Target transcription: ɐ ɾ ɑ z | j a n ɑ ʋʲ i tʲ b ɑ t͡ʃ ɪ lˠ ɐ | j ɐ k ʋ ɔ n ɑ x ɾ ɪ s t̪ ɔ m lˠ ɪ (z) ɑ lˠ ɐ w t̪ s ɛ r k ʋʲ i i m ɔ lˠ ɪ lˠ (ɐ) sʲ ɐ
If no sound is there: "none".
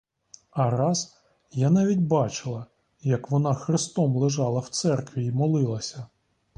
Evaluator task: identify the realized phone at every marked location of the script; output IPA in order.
ʒ, ɐ

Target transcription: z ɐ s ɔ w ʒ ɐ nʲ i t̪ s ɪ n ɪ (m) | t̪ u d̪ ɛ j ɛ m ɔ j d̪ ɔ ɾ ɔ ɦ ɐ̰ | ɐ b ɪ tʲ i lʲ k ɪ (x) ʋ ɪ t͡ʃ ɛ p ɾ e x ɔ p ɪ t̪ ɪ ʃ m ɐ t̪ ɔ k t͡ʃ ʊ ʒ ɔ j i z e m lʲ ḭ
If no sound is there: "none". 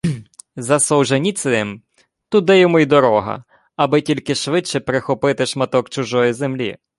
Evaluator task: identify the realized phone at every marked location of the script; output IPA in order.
m, ʃ

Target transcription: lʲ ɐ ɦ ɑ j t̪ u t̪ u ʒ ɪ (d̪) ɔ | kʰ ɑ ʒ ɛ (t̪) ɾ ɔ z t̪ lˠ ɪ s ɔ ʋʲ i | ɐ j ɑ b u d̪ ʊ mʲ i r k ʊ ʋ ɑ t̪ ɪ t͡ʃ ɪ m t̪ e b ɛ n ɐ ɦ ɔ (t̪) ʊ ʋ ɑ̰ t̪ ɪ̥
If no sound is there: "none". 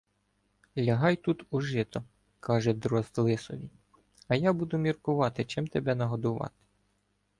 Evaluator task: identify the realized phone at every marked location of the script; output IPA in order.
t̪, d̪, d̪

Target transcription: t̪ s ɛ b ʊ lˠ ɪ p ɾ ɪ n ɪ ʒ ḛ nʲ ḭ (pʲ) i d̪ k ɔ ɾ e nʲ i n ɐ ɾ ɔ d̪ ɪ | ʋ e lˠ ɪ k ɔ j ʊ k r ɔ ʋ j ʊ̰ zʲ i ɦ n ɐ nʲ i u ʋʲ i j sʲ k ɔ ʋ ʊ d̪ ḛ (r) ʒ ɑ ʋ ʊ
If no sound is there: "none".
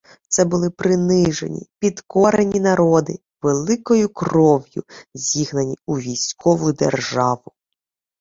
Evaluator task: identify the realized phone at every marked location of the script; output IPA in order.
pʲ, r

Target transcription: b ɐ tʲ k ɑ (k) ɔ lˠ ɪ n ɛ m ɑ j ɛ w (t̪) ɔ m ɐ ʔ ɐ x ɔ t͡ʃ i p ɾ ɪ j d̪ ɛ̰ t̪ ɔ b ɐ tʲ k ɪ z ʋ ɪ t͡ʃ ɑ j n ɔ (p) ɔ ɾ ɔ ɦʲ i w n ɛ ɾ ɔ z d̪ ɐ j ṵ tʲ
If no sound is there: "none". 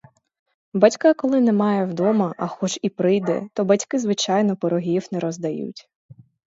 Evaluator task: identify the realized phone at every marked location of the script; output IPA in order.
k, d̪, p

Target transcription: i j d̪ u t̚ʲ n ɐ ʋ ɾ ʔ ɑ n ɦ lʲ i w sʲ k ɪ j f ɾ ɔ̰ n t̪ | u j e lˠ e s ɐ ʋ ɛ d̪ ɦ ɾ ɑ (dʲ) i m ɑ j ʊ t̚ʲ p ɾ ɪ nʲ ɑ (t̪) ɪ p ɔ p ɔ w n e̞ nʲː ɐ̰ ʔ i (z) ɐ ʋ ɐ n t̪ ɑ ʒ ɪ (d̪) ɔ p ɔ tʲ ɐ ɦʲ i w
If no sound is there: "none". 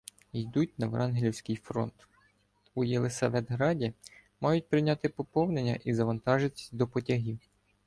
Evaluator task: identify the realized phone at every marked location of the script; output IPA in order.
dʲ, t̪, z, d̪

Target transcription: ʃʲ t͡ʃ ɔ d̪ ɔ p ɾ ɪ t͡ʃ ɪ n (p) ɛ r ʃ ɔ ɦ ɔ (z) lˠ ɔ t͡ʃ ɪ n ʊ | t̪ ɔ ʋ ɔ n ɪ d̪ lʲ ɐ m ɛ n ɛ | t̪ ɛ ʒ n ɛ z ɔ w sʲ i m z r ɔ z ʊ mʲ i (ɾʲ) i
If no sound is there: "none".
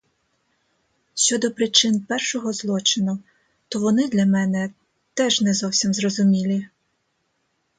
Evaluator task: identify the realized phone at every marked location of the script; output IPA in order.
p, z, lʲ

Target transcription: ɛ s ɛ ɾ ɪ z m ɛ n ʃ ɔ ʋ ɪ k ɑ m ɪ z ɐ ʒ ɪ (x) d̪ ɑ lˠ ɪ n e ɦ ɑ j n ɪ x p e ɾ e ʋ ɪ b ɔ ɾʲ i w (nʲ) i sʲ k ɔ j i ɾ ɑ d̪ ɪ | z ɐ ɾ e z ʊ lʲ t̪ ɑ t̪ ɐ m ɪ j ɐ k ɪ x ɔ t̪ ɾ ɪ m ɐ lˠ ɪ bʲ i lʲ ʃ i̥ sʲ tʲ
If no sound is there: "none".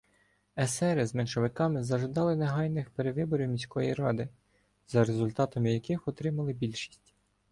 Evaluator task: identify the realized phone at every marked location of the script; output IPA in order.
none, mʲ

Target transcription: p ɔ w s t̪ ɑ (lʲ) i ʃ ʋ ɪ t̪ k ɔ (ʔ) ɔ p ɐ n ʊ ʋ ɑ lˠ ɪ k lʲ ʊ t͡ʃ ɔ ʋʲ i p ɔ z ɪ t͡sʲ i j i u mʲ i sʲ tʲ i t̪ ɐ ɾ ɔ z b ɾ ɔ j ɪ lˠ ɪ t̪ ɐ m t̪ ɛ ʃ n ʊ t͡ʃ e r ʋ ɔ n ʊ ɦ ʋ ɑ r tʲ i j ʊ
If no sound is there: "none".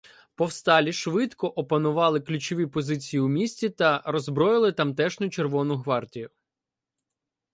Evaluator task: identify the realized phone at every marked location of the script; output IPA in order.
lʲ, ʔ

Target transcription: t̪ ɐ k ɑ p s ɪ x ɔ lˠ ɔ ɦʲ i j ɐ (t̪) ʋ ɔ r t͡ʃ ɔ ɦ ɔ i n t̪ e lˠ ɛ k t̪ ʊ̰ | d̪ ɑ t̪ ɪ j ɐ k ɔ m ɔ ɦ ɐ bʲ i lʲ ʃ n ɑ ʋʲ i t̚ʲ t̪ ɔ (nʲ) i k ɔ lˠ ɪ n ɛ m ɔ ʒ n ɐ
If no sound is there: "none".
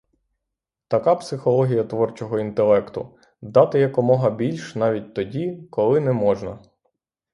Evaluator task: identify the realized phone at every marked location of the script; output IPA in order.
t̪, dʲ

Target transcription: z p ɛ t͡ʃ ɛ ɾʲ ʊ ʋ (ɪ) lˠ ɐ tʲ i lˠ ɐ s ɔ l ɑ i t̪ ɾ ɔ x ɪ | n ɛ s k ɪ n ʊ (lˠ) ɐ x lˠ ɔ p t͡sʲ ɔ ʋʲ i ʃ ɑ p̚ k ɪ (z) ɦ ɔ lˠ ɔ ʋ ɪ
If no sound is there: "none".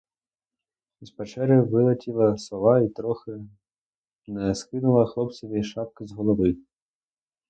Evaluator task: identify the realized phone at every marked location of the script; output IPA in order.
ɪ, lˠ, z

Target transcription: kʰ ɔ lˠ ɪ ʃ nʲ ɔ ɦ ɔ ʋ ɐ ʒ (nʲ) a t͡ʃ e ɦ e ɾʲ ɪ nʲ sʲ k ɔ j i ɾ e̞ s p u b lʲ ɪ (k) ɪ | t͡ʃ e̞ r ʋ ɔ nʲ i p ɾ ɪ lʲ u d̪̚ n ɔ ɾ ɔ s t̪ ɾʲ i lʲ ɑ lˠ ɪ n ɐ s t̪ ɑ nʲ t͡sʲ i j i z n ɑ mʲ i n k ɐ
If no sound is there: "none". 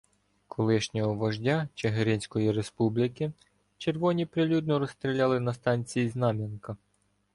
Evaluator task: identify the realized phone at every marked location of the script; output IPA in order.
dʲ, k

